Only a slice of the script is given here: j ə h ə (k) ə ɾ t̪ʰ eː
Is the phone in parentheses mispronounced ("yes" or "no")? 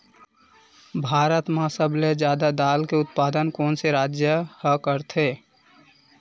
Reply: no